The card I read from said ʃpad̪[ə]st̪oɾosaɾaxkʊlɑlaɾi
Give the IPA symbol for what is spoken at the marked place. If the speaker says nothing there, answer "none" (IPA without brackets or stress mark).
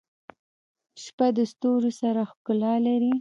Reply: ə